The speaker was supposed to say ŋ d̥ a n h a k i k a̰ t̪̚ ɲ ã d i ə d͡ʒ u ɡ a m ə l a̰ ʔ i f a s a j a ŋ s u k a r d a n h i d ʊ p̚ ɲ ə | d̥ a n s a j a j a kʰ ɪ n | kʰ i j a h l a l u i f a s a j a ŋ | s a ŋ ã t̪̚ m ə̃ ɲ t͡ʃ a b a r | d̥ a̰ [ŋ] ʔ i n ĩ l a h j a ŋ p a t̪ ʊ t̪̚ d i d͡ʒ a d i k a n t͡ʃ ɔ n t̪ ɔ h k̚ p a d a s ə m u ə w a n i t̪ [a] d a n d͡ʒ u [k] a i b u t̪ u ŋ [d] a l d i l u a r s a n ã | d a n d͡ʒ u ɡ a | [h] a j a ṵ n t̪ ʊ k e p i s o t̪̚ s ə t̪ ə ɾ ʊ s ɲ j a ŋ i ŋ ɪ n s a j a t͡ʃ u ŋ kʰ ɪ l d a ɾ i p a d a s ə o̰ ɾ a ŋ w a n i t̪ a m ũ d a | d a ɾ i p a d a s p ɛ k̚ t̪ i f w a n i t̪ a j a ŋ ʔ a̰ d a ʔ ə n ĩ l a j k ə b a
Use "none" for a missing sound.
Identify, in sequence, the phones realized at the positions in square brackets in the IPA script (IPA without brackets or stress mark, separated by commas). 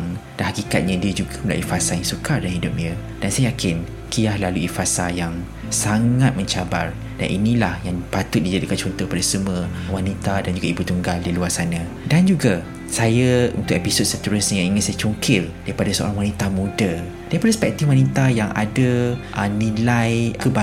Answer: n, a, ɡ, ɡ, s